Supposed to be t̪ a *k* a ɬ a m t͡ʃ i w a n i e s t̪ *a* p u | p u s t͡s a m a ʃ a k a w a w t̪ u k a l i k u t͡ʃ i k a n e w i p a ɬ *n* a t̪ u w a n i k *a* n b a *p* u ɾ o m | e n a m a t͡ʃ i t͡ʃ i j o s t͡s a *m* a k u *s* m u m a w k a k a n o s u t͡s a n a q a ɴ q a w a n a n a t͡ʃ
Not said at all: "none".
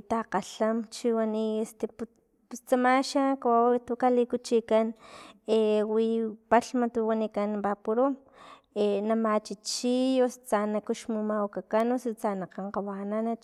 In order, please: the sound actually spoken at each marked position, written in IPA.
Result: q, e, m, a, p, n, ʃ

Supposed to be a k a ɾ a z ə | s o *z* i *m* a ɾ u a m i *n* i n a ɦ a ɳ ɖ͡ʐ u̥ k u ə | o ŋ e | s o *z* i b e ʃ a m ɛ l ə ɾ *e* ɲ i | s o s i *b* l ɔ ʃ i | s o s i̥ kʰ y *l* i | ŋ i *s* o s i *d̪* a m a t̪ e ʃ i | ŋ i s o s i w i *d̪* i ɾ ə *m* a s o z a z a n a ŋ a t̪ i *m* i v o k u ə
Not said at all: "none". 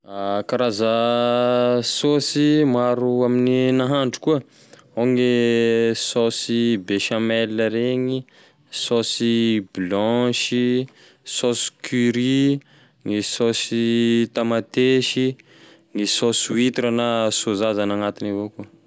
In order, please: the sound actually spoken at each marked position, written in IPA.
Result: s, m, n, s, e, b, ɾ, s, t̪, t̪, n, n

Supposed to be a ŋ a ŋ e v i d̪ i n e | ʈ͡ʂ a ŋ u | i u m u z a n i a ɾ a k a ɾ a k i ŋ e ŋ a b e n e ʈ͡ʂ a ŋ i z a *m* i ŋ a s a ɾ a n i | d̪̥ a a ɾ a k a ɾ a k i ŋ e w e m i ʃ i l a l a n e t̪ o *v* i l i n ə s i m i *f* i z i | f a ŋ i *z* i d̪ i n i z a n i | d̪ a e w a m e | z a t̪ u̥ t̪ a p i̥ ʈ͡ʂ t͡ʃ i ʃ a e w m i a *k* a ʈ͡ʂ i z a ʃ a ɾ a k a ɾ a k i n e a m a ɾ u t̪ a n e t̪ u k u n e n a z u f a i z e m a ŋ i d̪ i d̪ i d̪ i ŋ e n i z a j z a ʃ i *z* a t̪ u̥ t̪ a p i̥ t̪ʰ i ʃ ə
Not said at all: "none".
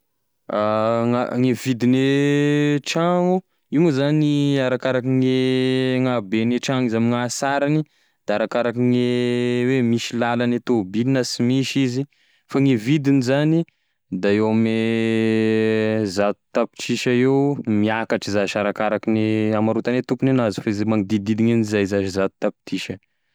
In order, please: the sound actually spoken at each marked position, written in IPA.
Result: m, b, ʃ, v, k, z

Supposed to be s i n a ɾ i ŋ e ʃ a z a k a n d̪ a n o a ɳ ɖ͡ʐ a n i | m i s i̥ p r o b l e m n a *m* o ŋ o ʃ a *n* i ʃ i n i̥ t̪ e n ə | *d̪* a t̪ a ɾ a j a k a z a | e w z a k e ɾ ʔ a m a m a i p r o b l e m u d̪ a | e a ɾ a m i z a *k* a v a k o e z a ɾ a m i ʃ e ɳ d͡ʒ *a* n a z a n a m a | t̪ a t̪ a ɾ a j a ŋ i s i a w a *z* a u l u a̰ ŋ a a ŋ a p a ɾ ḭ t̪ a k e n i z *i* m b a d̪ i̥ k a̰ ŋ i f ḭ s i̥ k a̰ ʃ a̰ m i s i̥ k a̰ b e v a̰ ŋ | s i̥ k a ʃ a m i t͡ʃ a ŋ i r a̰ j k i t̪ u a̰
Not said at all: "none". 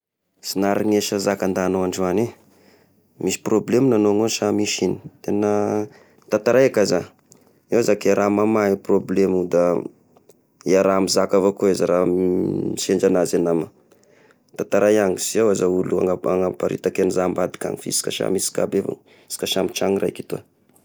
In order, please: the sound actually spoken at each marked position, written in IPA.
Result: n, m, t̪, k, a, z, a

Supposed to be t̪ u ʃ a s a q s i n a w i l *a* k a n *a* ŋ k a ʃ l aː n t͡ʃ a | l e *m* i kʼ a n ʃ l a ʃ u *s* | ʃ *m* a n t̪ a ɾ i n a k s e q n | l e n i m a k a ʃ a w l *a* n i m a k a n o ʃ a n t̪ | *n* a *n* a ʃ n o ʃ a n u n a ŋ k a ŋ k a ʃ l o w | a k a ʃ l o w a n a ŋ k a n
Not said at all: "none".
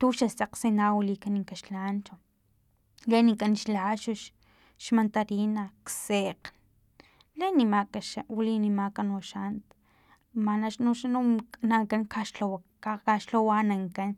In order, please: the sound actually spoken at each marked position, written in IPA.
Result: i, i, n, ʃ, m, i, m, n

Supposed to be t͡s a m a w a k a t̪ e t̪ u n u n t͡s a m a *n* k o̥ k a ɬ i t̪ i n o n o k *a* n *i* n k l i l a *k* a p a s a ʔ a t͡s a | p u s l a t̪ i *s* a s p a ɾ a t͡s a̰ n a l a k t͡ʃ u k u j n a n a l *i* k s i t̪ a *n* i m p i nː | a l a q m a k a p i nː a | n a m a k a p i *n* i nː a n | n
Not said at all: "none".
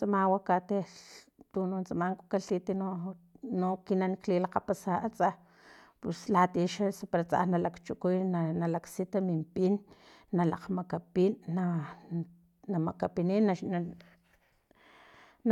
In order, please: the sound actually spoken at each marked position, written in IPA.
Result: ŋ, i, a, q, ʃ, a, m, n

